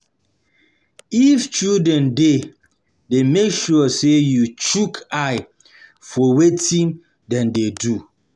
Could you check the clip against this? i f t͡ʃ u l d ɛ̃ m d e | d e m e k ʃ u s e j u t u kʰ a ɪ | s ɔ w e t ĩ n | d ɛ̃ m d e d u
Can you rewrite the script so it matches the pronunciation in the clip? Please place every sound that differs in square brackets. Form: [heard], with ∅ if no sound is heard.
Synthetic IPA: i f t͡ʃ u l d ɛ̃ [n] d e | d e m e k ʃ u s e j u [t͡ʃ] u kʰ a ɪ | [f] ɔ w e t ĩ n | d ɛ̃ [n] d e d u

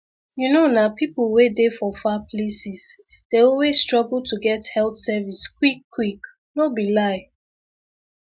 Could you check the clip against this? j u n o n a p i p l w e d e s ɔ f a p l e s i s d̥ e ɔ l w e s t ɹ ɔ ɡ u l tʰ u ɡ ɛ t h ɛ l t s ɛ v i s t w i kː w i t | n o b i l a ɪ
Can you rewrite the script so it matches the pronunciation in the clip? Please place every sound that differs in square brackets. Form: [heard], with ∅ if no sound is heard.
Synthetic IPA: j u n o n a p i p l w e d e [f] ɔ f a p l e s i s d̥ e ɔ l w e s t ɹ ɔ ɡ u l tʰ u ɡ ɛ t h ɛ l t s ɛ v i s [k] w i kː w i [k] | n o b i l a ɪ

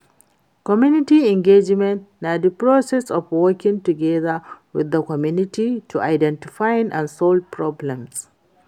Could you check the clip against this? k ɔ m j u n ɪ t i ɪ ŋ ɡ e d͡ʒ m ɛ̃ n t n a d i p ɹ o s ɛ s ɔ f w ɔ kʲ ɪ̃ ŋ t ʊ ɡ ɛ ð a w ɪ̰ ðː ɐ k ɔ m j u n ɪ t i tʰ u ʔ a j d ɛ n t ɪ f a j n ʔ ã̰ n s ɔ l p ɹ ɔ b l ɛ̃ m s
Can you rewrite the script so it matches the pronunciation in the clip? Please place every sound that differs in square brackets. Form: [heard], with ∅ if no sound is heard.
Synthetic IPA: k ɔ m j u n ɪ t i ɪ ŋ ɡ e d͡ʒ m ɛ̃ n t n a d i p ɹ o s ɛ s ɔ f w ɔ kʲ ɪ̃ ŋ t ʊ ɡ ɛ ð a w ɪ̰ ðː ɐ k ɔ m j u n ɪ t i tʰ u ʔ a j d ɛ n t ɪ f a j n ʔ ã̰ n s ɔ l p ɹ ɔ b l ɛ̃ m s

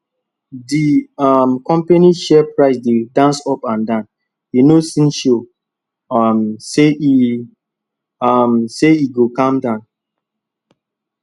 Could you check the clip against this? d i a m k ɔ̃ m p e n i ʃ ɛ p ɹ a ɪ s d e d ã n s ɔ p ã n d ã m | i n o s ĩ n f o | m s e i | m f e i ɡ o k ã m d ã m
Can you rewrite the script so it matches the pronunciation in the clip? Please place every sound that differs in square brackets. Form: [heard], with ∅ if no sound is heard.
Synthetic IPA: d i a m k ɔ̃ m p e n i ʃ ɛ p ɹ a ɪ s d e d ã n s ɔ p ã n d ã [n] | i n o s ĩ n [ʃ] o | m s e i | m [s] e i ɡ o k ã m d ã [n]

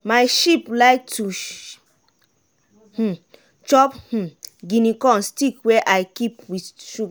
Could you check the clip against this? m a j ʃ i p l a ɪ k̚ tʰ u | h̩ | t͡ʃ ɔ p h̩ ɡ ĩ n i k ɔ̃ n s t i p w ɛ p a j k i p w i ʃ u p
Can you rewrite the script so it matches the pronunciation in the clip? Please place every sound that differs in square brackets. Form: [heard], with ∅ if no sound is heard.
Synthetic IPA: m a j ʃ i p l a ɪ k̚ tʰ u | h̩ | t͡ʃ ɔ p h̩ ɡ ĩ n i k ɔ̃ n s t i [k] w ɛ [ʔ] a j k i p w i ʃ u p

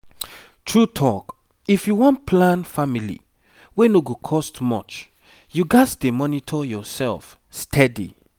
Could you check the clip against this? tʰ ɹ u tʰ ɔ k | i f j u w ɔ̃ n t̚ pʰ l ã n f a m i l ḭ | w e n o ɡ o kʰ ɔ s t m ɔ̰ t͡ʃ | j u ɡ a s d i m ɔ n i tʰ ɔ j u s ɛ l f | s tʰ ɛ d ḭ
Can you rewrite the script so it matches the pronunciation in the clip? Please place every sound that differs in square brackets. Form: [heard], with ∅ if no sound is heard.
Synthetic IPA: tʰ ɹ u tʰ ɔ k | i f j u w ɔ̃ n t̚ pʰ l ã n f a m i l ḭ | w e n o ɡ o kʰ ɔ s t m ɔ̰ t͡ʃ | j u ɡ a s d [e] m ɔ n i tʰ ɔ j [ɔ] s ɛ l f | s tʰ ɛ d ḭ

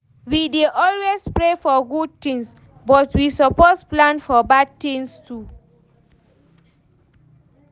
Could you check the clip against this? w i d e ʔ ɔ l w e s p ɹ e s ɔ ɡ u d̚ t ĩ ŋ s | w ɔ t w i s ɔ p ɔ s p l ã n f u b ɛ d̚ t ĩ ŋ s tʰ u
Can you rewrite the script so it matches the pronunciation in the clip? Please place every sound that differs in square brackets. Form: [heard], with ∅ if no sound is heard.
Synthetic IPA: w i d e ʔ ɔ l w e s p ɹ e [f] ɔ ɡ u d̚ t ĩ ŋ s | [b] ɔ t w i s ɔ p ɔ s p l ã n f [ɔ] b [a] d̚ t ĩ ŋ s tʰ u

